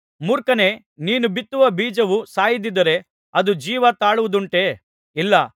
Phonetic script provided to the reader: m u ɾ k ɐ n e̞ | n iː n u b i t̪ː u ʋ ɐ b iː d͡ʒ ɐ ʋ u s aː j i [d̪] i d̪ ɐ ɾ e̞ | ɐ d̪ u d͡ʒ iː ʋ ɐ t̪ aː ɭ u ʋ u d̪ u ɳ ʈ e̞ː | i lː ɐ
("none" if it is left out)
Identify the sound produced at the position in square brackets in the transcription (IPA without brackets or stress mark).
d̪